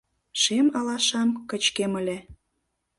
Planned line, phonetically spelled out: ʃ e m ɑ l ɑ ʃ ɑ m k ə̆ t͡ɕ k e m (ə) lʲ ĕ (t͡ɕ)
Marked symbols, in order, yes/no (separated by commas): yes, no